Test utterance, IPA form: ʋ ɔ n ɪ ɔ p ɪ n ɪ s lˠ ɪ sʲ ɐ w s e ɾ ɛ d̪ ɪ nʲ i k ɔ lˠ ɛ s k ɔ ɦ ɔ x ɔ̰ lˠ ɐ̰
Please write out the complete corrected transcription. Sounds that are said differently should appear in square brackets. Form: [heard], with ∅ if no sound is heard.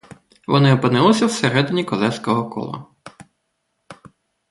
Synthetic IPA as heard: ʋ ɔ n ɪ ɔ p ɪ n ɪ [∅] lˠ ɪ sʲ ɐ w s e ɾ ɛ d̪ ɪ nʲ i k ɔ lˠ ɛ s k ɔ ɦ ɔ [k] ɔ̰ lˠ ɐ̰